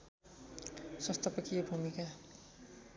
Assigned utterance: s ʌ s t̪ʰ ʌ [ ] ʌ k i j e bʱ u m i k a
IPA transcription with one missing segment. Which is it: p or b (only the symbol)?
p